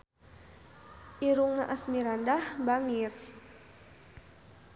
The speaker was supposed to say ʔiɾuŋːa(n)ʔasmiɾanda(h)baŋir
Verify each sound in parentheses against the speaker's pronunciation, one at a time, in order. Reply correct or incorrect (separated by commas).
incorrect, correct